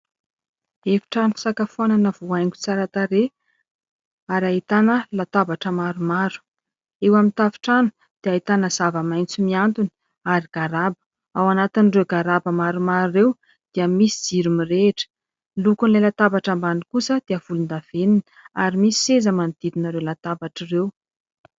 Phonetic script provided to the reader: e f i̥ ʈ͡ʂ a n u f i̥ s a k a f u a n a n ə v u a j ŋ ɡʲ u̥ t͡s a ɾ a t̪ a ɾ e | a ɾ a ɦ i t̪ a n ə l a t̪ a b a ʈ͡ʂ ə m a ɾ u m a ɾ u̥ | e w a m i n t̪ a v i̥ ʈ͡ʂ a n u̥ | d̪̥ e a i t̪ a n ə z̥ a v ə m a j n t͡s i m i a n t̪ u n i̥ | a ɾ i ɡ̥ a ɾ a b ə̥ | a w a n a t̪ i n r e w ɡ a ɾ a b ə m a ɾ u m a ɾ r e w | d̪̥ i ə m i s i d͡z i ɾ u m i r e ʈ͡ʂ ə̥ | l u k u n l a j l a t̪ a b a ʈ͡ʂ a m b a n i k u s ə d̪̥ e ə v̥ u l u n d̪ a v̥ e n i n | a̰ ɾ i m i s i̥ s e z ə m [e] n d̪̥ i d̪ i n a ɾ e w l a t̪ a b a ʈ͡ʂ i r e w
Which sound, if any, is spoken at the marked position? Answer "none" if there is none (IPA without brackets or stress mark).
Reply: a